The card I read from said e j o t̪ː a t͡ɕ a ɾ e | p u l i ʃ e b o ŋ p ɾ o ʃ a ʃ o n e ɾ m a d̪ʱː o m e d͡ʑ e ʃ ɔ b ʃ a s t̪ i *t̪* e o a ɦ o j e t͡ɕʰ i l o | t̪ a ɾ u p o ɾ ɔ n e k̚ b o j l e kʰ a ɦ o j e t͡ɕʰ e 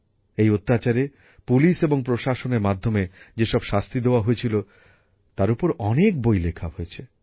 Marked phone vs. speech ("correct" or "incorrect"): incorrect